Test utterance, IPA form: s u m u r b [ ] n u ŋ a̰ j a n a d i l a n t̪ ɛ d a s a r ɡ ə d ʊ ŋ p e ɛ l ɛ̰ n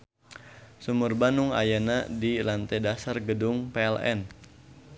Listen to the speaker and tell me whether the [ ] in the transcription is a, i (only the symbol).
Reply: a